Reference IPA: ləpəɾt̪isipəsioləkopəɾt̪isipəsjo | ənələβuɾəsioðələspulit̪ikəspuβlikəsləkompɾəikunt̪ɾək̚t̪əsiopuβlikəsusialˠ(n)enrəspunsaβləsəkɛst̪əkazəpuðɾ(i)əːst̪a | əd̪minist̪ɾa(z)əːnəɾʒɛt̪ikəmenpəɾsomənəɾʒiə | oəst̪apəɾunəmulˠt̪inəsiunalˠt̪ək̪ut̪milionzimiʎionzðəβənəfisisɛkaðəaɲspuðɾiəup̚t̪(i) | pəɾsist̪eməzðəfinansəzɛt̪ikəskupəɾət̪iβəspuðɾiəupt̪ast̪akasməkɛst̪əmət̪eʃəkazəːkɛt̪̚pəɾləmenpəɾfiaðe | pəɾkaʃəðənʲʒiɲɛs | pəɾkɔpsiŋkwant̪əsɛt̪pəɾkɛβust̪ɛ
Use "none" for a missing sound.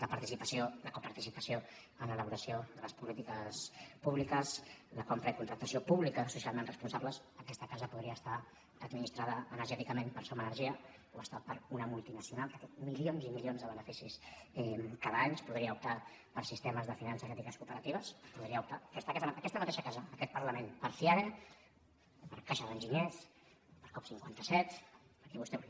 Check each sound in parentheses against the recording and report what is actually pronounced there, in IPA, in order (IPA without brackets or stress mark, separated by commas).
m, i, ð, a